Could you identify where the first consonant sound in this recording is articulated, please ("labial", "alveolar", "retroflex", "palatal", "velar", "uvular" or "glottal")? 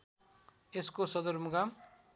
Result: alveolar